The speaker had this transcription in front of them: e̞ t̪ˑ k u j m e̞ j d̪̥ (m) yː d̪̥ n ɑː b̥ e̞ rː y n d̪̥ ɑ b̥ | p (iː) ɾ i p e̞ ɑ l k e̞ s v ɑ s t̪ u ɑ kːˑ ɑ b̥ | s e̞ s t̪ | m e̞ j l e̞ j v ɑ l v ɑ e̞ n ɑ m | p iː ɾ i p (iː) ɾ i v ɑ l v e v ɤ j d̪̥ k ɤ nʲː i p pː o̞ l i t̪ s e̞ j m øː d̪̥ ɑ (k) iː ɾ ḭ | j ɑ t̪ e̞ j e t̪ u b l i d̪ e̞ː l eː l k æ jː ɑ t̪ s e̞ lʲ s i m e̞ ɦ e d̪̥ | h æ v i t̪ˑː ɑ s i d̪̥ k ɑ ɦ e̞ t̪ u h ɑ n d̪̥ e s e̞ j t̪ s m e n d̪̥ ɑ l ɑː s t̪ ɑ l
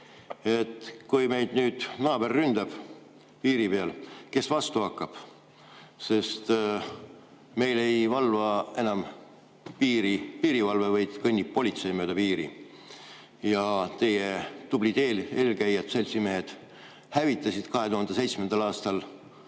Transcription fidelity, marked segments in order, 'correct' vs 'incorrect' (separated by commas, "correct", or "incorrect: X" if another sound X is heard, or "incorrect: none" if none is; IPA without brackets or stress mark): incorrect: n, correct, correct, incorrect: p